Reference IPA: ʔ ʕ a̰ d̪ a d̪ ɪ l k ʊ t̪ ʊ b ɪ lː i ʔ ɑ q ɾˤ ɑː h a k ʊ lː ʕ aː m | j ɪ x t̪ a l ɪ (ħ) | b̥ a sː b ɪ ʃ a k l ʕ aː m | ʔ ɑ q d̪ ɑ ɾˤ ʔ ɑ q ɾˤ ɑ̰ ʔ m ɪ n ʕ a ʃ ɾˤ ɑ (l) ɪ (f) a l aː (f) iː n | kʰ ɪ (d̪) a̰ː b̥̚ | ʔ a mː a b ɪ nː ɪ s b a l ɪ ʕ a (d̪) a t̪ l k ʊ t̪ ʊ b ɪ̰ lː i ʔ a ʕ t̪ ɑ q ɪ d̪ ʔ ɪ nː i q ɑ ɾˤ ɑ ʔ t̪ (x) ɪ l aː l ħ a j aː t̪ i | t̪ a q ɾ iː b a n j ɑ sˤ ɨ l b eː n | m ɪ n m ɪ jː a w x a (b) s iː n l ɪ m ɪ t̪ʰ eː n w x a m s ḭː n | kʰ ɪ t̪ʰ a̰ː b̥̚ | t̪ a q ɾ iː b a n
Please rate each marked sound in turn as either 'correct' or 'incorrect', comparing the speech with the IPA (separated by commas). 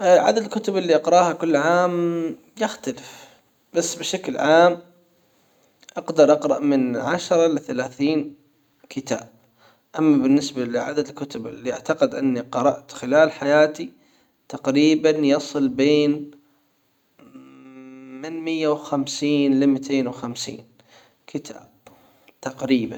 incorrect, correct, incorrect, incorrect, incorrect, correct, correct, incorrect